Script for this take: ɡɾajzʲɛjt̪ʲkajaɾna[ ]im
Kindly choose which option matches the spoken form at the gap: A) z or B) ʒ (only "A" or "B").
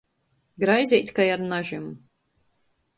B